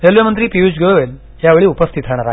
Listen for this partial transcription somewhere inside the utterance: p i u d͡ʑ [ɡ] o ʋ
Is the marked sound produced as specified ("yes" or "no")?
yes